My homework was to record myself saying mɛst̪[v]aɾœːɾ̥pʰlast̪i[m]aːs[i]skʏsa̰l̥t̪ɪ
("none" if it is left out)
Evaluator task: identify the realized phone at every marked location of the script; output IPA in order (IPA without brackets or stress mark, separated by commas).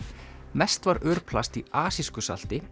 v, none, i